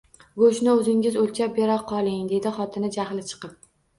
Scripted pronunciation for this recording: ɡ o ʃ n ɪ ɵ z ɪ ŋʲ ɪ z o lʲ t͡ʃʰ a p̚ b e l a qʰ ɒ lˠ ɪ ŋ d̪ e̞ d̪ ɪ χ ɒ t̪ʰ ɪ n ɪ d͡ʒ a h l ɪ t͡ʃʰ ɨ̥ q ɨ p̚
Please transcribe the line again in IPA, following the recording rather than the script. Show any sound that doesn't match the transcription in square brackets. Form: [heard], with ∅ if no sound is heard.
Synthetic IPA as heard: ɡ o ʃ n ɪ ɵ z ɪ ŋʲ ɪ z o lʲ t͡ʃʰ a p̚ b e [ɾ] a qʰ ɒ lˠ ɪ ŋ d̪ e̞ d̪ ɪ χ ɒ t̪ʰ ɪ n ɪ d͡ʒ a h l ɪ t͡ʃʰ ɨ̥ q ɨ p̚